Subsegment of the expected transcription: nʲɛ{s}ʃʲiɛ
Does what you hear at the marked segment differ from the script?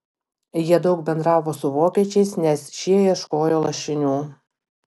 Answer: no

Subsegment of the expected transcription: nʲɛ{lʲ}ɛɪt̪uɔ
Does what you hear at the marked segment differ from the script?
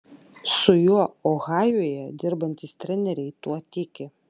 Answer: yes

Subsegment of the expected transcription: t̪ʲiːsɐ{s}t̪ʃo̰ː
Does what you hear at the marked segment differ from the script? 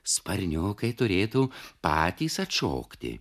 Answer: yes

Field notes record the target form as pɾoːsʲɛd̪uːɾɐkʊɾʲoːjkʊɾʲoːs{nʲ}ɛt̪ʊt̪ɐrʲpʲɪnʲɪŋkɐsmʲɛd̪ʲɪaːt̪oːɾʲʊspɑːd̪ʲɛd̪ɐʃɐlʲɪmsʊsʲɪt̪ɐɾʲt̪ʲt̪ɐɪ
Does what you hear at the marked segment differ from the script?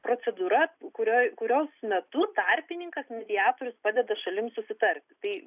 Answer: yes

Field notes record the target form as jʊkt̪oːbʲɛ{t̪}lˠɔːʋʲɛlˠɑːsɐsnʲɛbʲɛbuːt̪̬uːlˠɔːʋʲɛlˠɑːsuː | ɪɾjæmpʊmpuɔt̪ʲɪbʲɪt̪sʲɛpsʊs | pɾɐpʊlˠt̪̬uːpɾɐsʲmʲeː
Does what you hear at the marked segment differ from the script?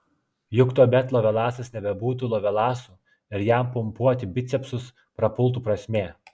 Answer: no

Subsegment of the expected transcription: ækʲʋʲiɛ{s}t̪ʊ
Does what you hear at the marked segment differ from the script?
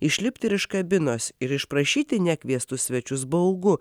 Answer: no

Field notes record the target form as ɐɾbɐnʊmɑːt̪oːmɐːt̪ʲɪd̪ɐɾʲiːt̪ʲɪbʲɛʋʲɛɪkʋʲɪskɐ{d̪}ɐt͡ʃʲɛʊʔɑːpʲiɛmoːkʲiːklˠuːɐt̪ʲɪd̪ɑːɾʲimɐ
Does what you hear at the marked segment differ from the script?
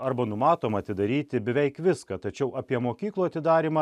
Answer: yes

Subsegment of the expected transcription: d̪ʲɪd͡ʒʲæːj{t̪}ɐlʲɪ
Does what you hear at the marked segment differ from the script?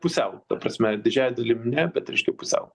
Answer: yes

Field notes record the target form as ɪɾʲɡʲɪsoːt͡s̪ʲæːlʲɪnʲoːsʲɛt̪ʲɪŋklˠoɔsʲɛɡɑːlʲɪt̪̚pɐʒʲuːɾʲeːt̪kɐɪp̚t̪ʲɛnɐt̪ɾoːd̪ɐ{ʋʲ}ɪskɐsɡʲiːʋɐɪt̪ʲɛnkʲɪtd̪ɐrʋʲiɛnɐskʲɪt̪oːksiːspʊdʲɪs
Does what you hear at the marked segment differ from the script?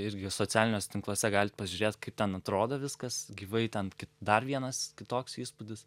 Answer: no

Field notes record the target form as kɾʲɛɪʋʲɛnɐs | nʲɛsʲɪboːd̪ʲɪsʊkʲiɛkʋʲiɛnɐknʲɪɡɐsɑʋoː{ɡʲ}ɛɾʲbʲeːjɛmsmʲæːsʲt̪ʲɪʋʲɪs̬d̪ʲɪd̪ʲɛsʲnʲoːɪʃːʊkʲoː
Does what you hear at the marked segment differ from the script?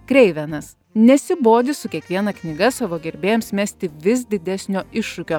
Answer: no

